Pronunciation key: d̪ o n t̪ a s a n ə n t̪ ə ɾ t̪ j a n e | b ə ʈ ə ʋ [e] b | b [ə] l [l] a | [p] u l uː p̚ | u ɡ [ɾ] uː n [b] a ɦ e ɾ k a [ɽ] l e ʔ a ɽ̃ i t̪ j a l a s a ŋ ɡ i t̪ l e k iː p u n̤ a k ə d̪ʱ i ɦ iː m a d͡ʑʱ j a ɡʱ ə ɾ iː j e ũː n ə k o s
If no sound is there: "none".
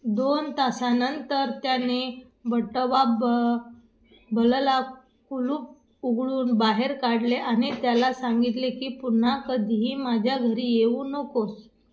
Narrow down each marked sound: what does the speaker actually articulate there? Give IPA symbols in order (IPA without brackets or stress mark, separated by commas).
a, ə, l, k, ɭ, b, ɽ